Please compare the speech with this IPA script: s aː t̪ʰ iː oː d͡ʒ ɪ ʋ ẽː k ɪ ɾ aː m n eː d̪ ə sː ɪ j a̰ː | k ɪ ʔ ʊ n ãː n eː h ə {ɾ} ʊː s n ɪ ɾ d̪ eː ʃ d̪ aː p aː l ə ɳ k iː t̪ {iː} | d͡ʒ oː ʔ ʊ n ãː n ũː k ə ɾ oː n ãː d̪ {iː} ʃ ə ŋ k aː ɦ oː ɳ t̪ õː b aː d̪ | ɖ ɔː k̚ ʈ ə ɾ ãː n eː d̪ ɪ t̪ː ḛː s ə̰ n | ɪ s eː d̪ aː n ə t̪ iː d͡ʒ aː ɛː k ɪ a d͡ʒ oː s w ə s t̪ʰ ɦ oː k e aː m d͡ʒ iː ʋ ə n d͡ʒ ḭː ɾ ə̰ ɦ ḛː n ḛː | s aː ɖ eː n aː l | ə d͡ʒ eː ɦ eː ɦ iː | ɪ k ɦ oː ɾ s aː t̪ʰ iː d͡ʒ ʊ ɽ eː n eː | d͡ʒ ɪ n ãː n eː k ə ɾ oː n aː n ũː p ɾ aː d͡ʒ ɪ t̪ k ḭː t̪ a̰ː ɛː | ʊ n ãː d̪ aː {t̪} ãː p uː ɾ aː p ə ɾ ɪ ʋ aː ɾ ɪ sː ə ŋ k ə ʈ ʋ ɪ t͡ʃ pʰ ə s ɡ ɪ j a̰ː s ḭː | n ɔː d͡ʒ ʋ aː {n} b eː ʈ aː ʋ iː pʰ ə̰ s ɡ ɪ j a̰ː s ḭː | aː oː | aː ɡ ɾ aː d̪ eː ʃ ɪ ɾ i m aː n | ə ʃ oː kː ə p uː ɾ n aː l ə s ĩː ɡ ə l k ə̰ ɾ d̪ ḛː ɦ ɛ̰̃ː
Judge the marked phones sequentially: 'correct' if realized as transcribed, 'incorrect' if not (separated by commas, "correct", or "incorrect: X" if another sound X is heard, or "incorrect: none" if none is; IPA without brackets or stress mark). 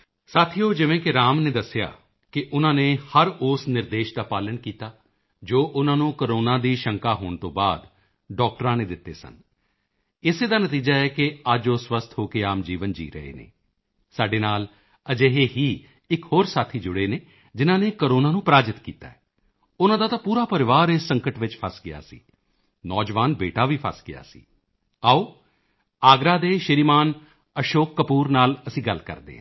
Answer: correct, incorrect: aː, correct, correct, correct